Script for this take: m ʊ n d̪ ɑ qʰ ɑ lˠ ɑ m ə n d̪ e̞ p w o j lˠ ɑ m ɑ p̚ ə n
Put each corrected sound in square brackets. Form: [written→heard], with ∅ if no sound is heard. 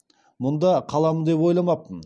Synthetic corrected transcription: m ʊ n d̪ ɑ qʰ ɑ lˠ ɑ m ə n d̪ e̞ p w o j lˠ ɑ m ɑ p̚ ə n